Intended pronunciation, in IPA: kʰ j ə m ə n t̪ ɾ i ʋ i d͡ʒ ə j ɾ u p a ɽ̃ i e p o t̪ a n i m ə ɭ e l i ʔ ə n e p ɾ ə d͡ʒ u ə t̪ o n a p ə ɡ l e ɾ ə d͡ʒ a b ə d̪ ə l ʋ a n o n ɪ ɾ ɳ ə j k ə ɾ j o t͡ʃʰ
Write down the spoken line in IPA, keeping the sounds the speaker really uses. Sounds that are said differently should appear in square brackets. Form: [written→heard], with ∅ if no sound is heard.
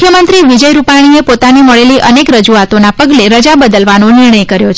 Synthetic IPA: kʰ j ə m ə n t̪ ɾ i ʋ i d͡ʒ ə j ɾ u p a ɽ̃ i e p o t̪ a n i m ə ɭ e l i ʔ ə n e [p→k] ɾ ə d͡ʒ u [ə→a] t̪ o n a p ə ɡ l e ɾ ə d͡ʒ a b ə d̪ ə l ʋ a n o n ɪ ɾ ɳ ə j k ə ɾ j o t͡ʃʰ